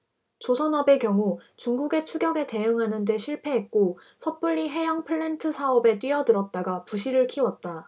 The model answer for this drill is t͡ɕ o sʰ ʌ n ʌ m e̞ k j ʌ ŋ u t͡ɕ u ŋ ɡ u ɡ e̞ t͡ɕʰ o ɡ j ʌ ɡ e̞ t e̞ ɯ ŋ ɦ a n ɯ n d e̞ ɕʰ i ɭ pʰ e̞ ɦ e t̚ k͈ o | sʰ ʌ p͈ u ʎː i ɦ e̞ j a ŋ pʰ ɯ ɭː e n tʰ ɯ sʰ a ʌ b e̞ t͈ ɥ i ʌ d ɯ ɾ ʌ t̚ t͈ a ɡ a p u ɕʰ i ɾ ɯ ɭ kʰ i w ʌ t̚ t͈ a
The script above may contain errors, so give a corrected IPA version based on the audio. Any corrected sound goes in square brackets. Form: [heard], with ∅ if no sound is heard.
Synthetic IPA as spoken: t͡ɕ o sʰ ʌ n ʌ [b] e̞ k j ʌ ŋ u t͡ɕ u ŋ ɡ u ɡ e̞ t͡ɕʰ [u] ɡ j ʌ ɡ e̞ t e̞ ɯ ŋ ɦ a n ɯ n d e̞ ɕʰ i ɭ pʰ e̞ ɦ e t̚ k͈ o | sʰ ʌ p͈ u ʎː i ɦ e̞ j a ŋ pʰ ɯ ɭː e n tʰ ɯ sʰ a ʌ b e̞ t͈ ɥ i ʌ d ɯ ɾ ʌ t̚ t͈ a ɡ a p u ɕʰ i ɾ ɯ ɭ kʰ i w ʌ t̚ t͈ a